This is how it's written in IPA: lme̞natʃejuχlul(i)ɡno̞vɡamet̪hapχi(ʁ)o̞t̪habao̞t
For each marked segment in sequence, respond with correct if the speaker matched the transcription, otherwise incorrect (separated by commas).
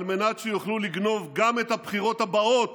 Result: correct, correct